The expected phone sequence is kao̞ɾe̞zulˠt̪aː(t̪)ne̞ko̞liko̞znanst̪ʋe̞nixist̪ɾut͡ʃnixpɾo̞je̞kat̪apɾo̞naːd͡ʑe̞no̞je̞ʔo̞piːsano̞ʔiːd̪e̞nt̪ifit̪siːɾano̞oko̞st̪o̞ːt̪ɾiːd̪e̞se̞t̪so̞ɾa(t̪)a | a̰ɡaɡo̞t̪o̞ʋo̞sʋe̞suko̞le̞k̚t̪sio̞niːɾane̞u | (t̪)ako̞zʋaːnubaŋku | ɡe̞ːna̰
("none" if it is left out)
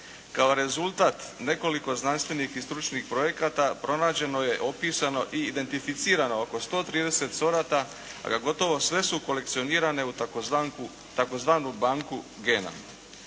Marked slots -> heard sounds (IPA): t̪, t̪, t̪

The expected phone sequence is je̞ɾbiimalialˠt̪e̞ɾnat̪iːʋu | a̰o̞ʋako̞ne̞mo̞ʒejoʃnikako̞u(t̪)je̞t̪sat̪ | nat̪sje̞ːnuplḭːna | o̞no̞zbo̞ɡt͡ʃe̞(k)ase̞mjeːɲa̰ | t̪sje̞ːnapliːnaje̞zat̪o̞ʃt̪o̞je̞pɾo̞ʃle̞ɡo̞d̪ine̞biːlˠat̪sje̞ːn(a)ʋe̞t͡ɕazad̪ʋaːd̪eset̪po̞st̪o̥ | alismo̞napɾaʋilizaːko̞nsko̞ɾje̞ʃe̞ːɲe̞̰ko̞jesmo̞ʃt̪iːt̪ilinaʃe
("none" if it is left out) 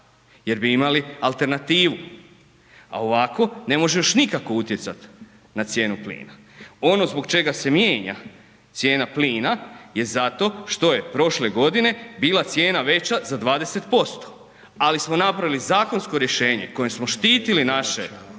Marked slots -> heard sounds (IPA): t̪, ɡ, a

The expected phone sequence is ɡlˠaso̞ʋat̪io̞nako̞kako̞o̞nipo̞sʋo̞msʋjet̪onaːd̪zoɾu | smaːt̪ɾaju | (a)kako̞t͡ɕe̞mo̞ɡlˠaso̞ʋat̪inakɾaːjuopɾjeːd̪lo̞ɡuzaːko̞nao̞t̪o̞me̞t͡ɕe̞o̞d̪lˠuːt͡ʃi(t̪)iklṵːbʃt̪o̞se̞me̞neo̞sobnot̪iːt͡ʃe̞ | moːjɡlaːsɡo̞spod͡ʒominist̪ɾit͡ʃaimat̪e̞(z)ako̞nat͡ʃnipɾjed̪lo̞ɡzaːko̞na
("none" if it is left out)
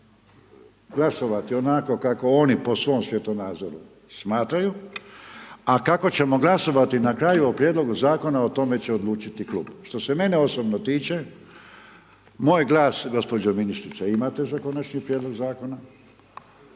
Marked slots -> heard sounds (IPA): a, t̪, z

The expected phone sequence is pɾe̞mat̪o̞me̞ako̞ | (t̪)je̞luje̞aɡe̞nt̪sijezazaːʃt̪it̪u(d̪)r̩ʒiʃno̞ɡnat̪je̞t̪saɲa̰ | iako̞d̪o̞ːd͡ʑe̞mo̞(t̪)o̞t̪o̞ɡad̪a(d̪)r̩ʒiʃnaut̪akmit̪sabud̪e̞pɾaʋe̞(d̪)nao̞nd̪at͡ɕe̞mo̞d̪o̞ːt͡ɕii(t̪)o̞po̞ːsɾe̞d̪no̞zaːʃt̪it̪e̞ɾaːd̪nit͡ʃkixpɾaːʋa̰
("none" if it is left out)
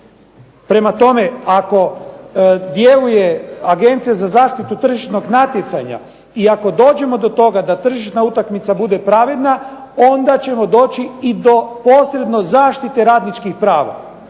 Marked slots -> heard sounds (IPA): d̪, t̪, d̪, t̪, d̪, d̪

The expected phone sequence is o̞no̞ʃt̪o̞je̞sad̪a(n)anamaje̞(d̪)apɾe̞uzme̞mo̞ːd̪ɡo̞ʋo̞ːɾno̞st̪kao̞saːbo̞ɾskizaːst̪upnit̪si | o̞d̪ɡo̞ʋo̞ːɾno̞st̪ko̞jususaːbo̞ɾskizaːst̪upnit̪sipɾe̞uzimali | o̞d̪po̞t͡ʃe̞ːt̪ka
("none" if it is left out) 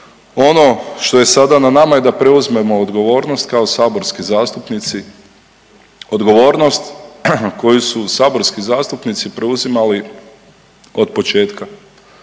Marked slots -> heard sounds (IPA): n, d̪

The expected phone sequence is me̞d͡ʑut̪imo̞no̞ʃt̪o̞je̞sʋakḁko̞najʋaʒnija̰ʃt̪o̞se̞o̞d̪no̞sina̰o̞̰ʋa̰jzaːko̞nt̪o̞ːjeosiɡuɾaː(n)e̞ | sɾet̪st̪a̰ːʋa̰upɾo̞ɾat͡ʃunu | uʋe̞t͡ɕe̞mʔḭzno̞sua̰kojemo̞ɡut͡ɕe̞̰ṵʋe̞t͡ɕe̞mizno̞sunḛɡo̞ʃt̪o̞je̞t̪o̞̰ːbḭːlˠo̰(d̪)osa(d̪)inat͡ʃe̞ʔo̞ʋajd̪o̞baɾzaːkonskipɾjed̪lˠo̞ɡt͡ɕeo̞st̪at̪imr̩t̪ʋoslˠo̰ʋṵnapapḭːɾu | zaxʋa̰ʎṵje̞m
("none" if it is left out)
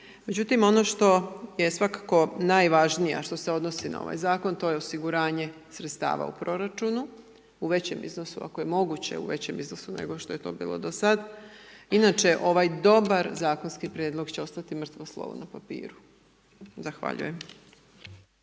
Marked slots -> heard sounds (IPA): ɲ, d̪, d̪

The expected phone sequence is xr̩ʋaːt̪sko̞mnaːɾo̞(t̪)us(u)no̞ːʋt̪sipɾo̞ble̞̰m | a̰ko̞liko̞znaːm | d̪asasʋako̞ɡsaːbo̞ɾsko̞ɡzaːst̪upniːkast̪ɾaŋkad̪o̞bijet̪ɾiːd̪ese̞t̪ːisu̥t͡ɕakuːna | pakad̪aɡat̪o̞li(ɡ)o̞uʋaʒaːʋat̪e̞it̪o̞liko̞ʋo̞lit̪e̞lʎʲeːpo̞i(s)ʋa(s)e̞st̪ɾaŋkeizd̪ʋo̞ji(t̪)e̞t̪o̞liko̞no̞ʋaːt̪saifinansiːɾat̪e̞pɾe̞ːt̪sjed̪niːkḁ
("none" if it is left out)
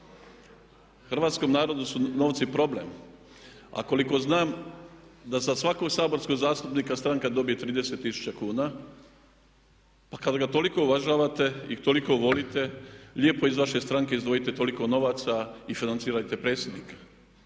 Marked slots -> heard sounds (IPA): d̪, u, k, z, ʃ, t̪

